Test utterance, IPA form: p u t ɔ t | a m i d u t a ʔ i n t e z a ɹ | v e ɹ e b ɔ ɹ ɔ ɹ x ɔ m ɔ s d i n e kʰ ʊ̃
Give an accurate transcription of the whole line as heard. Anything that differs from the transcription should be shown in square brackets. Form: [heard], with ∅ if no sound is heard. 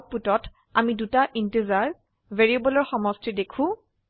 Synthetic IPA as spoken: p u t ɔ t | a m i d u t a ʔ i n t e z a ɹ | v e ɹ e b ɔ [l] ɔ ɹ x ɔ m ɔ s [t] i [d] e kʰ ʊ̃